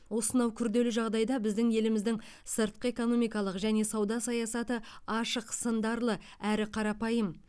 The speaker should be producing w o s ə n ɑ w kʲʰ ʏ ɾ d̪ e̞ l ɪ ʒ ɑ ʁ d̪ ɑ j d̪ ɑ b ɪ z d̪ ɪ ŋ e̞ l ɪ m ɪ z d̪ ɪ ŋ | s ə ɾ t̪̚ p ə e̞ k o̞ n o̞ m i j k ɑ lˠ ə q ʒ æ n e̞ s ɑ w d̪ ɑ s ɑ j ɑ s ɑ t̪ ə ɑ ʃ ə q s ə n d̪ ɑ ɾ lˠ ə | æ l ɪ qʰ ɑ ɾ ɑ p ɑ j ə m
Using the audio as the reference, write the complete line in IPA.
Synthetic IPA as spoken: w o s ə n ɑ w kʲʰ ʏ ɾ d̪ e̞ l ɪ ʒ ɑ ʁ d̪ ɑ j d̪ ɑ b ɪ z d̪ ɪ ŋ e̞ l ɪ m ɪ z d̪ ɪ ŋ | s ə ɾ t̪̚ q ə e̞ k o̞ n o̞ m i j k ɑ lˠ ə q ʒ æ n e̞ s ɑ w d̪ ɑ s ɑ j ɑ s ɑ t̪ ə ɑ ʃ ə q s ə n d̪ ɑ ɾ lˠ ə | æ ɾ ɪ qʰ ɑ ɾ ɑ p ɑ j ə m